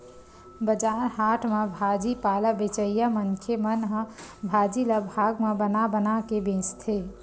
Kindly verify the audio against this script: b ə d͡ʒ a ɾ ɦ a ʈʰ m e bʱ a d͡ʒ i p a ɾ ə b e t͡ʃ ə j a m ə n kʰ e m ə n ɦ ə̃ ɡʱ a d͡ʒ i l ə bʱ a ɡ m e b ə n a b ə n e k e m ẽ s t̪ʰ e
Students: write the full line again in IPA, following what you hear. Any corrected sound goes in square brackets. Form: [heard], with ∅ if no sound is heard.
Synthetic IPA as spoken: b ə d͡ʒ a ɾ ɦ a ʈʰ m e bʱ a d͡ʒ i p a [l] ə b e t͡ʃ ə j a m ə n kʰ e m ə n ɦ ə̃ [bʱ] a d͡ʒ i l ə bʱ a ɡ m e b ə n a b ə n [a] k e [b] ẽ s t̪ʰ e